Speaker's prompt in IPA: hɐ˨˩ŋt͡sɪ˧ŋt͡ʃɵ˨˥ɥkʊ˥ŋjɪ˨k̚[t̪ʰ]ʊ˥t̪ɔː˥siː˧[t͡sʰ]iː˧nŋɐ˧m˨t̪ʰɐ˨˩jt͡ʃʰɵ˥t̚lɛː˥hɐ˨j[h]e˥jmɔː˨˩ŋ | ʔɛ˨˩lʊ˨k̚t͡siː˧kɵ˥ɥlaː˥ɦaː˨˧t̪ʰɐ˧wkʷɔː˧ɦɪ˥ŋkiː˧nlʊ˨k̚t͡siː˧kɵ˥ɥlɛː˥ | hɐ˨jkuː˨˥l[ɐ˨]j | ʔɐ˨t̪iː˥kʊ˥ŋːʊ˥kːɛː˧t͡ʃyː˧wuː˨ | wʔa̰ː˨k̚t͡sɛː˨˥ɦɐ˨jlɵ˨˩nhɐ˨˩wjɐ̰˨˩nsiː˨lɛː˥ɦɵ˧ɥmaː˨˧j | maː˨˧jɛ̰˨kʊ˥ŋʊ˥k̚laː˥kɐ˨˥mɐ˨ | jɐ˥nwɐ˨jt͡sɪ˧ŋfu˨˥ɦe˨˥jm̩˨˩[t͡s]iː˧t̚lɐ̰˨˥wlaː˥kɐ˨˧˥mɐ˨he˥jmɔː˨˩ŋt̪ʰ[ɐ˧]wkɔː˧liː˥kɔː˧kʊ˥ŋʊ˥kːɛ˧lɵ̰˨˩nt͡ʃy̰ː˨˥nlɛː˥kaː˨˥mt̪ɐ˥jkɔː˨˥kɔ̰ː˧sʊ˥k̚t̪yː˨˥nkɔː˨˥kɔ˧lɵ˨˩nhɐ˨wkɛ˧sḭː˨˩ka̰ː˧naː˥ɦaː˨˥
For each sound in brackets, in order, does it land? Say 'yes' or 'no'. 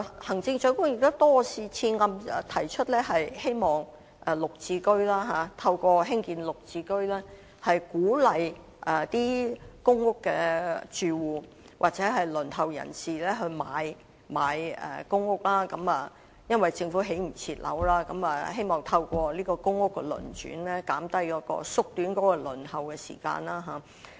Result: no, yes, yes, yes, no, yes

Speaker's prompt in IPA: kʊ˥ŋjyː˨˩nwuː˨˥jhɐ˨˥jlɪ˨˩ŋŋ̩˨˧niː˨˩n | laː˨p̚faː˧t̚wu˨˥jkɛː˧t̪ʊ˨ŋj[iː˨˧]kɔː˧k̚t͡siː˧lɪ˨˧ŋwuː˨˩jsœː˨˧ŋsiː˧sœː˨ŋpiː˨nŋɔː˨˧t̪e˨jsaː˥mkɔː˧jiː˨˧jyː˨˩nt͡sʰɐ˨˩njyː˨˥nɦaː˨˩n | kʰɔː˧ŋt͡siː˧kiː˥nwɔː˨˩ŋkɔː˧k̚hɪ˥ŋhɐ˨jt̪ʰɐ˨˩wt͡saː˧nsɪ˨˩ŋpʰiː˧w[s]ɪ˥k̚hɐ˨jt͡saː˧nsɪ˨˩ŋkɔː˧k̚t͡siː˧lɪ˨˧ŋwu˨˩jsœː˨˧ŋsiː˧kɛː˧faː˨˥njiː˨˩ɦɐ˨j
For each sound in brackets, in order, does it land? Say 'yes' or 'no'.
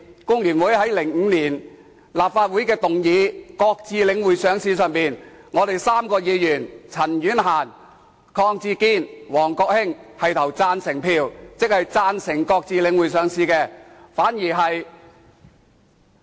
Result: yes, no

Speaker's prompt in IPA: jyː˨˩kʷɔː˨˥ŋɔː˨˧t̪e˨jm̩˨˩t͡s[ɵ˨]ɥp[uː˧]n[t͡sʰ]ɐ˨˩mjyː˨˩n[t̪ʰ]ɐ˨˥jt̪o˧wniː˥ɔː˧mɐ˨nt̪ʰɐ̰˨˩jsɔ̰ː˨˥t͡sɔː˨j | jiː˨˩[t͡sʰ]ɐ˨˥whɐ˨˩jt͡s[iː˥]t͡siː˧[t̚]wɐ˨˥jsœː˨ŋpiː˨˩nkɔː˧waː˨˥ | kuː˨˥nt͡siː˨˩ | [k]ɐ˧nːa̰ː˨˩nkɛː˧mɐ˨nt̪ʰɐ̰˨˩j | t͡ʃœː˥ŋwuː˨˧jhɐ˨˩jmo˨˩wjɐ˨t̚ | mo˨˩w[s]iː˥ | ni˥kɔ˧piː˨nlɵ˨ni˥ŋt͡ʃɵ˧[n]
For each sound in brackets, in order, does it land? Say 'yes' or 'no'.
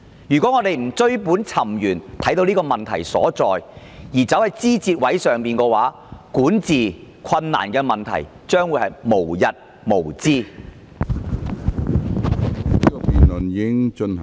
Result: no, no, yes, yes, no, yes, yes, no, no, yes

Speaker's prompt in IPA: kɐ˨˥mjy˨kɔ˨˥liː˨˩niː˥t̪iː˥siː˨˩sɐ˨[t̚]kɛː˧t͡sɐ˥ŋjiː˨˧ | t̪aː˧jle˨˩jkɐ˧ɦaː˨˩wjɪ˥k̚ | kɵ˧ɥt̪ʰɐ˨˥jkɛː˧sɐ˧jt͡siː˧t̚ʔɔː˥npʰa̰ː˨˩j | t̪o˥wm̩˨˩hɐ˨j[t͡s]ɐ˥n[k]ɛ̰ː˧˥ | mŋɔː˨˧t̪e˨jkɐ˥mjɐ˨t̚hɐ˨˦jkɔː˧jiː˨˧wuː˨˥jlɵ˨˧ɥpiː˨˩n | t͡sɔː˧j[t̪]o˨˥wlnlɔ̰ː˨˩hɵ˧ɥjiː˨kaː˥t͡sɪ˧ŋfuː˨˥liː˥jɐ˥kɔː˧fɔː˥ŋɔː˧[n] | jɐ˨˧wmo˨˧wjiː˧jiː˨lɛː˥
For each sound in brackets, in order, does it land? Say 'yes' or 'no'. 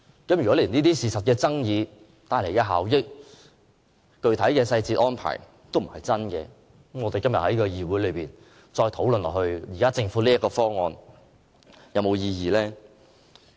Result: yes, yes, yes, no, yes

